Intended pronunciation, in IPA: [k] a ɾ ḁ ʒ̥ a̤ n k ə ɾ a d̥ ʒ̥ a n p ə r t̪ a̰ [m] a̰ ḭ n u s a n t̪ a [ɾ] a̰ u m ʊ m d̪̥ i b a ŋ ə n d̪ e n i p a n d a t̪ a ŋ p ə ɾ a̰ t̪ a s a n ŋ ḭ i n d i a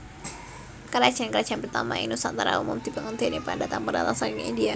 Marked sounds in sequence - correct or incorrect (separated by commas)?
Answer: correct, correct, correct